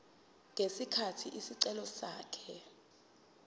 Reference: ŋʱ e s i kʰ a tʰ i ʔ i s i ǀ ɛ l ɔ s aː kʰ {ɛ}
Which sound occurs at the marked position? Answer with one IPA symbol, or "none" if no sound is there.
ɛ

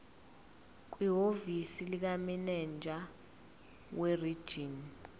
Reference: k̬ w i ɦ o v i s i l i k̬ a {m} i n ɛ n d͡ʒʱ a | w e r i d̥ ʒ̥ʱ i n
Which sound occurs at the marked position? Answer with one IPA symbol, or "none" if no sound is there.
m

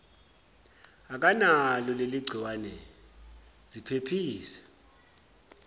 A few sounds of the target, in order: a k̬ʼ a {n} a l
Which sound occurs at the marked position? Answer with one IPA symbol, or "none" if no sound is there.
n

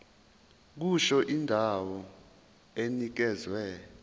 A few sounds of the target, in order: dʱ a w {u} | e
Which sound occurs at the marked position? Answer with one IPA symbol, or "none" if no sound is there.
ɔ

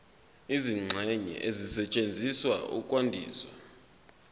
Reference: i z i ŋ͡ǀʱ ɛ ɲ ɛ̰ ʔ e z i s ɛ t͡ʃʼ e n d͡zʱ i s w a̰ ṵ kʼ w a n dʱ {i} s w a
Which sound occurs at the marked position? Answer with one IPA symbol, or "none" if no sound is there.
iː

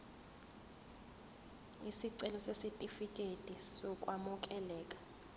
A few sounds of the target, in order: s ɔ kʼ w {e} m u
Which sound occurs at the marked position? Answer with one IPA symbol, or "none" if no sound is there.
a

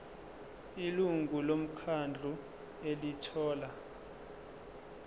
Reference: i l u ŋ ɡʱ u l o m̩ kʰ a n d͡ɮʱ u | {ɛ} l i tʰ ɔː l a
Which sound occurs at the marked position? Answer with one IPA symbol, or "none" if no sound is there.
e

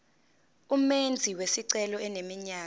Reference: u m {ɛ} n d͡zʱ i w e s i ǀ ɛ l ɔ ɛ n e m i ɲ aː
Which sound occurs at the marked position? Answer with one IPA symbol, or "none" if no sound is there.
e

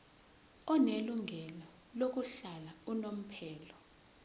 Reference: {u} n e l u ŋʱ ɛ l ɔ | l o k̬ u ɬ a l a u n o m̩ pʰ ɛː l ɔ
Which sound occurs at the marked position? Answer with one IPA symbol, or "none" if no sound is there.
ɔ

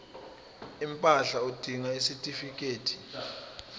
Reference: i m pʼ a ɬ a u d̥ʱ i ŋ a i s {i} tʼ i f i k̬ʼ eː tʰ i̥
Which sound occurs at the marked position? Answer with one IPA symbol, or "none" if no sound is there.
i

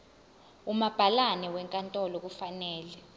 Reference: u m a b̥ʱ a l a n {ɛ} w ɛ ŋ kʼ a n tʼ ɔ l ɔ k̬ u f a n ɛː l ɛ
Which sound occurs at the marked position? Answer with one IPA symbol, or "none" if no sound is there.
ɛ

